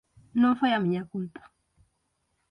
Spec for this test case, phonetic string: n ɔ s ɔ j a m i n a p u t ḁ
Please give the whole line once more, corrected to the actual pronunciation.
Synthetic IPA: n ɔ f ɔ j a m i ɲ a k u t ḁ